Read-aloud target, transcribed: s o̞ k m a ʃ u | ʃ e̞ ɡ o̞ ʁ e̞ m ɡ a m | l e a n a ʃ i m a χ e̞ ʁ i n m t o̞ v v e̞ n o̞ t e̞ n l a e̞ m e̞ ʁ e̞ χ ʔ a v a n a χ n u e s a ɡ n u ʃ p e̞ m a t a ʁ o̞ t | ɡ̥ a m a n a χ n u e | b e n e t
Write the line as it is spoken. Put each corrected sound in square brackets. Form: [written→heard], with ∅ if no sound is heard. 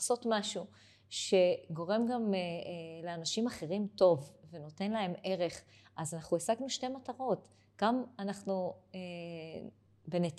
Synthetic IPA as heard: s o̞ [k→t] m a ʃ u | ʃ e̞ ɡ o̞ ʁ e̞ m ɡ a m | l e a n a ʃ i m a χ e̞ ʁ i [n→∅] m t o̞ v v e̞ n o̞ t e̞ n l a e̞ m e̞ ʁ e̞ χ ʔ a [v→z] a n a χ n u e s a ɡ n u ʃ [p→t] e̞ m a t a ʁ o̞ t | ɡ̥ a m a n a χ n u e | b e n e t